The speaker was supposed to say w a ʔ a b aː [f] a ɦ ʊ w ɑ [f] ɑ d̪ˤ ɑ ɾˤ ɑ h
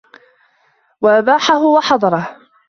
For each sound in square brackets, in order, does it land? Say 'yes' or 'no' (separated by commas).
no, no